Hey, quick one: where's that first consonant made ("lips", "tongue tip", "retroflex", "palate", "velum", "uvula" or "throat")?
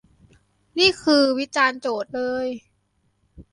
tongue tip